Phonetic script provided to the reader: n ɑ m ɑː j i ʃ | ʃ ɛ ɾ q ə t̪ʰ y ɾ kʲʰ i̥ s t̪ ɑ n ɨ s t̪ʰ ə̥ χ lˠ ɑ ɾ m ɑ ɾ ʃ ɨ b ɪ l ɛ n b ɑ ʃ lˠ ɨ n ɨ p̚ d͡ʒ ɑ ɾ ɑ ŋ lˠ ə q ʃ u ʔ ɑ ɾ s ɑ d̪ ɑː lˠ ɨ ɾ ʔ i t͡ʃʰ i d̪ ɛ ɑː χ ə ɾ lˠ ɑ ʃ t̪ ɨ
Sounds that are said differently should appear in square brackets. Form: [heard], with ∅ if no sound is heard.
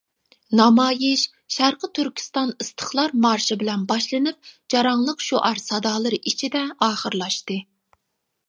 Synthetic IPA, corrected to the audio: n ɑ m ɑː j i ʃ | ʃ [æ] ɾ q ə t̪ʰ y ɾ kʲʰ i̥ s t̪ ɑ n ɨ s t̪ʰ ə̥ χ lˠ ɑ ɾ m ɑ ɾ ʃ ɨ b ɪ l ɛ n b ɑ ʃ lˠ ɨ n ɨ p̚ d͡ʒ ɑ ɾ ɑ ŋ lˠ ə q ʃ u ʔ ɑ ɾ s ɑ d̪ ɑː lˠ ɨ ɾ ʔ i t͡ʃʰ i d̪ ɛ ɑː χ ə ɾ lˠ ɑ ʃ t̪ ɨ